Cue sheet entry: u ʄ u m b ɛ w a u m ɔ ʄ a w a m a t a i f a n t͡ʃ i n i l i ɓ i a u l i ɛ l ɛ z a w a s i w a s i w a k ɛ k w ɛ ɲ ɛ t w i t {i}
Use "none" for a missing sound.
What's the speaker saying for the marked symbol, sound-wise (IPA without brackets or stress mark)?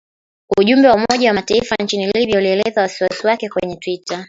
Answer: a